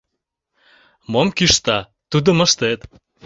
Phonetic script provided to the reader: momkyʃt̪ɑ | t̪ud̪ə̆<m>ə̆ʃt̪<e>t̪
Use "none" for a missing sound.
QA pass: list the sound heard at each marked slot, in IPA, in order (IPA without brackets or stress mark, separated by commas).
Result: m, e